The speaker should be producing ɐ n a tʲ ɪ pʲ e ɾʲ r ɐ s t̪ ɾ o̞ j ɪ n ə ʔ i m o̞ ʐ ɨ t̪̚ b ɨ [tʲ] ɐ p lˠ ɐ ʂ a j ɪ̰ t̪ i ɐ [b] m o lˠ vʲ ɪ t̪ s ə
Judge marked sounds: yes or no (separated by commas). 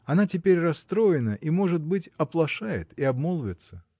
yes, yes